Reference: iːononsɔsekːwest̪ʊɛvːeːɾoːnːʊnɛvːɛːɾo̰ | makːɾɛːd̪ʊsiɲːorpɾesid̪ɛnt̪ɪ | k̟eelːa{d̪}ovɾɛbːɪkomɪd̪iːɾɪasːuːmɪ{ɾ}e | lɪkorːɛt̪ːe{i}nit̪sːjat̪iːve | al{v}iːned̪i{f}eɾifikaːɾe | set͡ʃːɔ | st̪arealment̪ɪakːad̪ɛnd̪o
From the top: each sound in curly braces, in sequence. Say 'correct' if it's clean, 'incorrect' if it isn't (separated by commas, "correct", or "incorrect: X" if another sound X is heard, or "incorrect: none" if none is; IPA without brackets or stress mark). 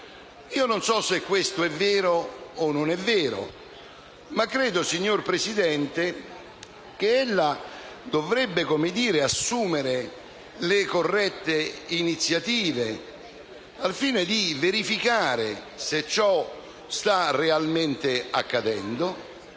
correct, correct, correct, incorrect: f, incorrect: v